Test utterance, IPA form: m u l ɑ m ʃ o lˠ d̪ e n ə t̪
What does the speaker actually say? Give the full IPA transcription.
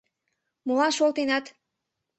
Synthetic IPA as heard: m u l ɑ n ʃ o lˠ t̪ e n ɑ t̪